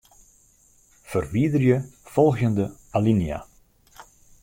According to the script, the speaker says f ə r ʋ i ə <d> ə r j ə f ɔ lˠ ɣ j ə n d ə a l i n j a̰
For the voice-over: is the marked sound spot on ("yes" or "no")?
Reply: yes